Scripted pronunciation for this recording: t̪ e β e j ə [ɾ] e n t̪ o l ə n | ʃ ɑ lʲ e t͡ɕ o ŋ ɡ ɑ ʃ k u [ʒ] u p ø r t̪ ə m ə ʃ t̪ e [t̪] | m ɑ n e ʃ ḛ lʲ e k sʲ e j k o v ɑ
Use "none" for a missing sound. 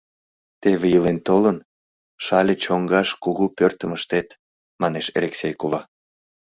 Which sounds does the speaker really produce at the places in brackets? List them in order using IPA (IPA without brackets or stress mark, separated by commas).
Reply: l, ɣ, t̪